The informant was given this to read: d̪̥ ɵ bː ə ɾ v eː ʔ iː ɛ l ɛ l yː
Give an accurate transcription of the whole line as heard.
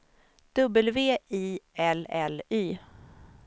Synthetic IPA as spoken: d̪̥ ɵ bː ə l v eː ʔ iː ɛ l ɛ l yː